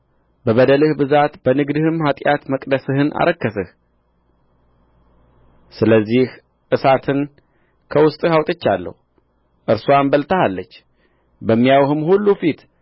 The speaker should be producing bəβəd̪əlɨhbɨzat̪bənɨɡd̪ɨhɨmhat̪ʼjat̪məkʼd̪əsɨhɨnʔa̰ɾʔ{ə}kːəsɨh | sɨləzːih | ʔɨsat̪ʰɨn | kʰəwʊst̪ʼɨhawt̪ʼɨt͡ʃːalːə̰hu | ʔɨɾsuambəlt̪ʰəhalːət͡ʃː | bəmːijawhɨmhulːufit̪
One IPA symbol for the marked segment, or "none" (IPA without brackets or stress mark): ə